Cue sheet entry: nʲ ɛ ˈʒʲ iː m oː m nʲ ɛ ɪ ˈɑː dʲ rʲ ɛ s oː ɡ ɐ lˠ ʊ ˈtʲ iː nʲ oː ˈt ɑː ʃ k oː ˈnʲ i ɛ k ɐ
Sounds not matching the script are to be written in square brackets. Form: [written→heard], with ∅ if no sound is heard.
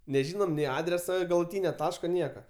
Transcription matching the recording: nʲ ɛ ˈʒʲ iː [m→n] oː m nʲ ɛ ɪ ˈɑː dʲ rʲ ɛ s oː ɡ ɐ lˠ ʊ ˈtʲ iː nʲ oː ˈt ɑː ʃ k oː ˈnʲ i ɛ k ɐ